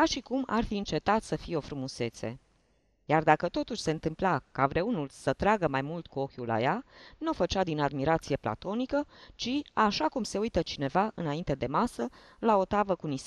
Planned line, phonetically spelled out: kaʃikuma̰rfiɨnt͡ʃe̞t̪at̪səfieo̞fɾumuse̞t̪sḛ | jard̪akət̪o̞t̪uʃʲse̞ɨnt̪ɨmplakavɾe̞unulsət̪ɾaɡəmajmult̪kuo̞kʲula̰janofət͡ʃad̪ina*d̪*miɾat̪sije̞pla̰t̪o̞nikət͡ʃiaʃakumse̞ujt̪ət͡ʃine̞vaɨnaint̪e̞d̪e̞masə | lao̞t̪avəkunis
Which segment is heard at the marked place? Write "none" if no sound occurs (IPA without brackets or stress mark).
d̪